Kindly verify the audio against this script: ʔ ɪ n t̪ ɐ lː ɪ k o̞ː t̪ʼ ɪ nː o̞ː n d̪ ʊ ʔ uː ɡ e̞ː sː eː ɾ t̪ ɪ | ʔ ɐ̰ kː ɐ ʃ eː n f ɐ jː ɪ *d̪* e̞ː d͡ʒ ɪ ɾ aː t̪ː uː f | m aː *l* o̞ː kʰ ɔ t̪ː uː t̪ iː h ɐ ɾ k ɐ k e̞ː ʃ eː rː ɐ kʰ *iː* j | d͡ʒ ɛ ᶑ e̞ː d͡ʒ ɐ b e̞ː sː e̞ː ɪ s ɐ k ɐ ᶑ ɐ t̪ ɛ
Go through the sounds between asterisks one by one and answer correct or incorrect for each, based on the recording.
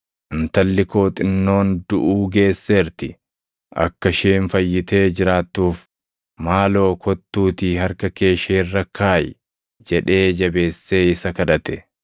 incorrect, correct, incorrect

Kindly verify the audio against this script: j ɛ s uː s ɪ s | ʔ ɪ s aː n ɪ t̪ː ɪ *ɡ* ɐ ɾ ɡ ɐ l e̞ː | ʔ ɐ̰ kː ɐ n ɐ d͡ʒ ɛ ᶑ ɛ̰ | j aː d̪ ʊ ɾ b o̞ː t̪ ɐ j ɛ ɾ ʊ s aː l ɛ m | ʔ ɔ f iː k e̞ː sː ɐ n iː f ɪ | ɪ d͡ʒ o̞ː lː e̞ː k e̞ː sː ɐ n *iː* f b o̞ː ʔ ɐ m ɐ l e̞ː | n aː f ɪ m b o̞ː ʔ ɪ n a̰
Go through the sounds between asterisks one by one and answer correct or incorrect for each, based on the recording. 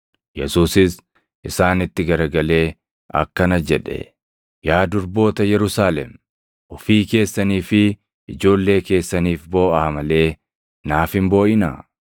correct, correct

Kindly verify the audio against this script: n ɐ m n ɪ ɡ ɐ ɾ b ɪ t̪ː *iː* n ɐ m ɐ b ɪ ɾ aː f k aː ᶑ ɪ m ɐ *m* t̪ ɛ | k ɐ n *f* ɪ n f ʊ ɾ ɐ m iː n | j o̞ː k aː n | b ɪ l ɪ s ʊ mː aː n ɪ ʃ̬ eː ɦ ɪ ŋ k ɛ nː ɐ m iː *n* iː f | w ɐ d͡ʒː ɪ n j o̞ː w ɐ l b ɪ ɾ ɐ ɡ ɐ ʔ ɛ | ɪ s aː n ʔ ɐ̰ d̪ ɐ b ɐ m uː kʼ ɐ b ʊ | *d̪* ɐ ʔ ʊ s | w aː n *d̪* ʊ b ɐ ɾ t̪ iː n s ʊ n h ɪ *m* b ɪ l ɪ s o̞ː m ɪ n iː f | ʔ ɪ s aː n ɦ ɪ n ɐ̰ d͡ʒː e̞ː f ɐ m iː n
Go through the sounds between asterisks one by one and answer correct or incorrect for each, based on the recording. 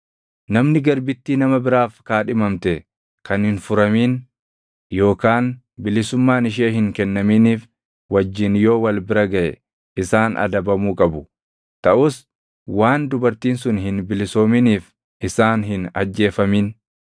correct, correct, incorrect, correct, incorrect, correct, incorrect

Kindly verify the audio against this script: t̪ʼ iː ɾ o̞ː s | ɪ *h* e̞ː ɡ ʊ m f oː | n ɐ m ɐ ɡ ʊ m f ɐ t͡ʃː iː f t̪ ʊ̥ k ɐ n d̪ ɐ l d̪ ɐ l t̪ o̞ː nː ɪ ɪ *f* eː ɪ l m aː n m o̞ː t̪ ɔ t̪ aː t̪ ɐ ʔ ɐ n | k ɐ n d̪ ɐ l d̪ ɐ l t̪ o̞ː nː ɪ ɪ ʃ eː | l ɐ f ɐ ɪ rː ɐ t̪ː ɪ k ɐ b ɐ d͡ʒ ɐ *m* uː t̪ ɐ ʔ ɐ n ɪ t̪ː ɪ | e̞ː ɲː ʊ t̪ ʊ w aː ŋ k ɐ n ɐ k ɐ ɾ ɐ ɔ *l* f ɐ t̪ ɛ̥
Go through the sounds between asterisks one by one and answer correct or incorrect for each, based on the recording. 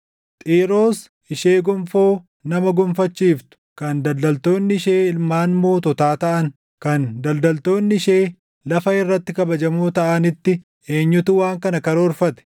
incorrect, incorrect, correct, incorrect

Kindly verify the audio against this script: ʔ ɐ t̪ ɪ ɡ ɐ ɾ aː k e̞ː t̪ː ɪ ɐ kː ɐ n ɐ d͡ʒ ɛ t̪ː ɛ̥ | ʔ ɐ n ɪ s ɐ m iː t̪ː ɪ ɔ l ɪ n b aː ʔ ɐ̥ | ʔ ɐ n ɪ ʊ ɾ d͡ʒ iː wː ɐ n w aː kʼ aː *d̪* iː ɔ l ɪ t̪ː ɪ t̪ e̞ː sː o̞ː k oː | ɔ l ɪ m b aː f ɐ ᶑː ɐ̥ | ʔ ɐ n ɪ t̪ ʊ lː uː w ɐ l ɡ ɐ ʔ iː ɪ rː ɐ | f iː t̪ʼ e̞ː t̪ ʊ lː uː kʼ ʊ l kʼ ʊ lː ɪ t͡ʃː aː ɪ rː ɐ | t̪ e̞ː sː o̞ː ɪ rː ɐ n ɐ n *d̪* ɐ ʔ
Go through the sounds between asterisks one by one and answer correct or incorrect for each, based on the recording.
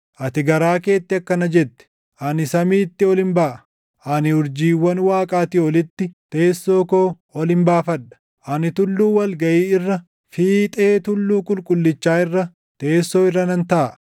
incorrect, incorrect

